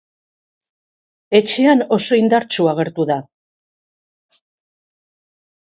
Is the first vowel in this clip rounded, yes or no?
no